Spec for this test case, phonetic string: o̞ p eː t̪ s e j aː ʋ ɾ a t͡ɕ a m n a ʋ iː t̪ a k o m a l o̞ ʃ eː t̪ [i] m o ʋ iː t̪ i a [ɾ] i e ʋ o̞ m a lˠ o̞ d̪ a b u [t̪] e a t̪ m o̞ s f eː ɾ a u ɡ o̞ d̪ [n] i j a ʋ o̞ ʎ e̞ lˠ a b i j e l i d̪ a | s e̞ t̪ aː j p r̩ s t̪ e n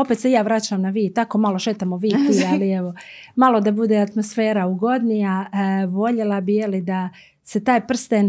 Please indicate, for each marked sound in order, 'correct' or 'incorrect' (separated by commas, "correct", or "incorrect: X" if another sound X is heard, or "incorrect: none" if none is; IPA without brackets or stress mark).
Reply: incorrect: a, incorrect: l, incorrect: d̪, correct